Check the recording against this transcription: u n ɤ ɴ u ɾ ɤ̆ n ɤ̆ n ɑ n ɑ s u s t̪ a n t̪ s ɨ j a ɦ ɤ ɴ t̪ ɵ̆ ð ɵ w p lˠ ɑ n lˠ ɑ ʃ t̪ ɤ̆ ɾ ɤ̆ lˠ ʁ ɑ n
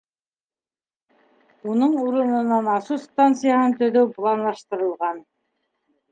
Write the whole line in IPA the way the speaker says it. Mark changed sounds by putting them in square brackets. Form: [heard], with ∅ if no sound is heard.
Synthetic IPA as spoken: u n ɤ ɴ u ɾ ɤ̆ n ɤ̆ n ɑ n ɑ s u s t̪ a n t̪ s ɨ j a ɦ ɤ [n] t̪ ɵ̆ ð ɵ w p lˠ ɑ n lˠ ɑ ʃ t̪ ɤ̆ ɾ ɤ̆ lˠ ʁ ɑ n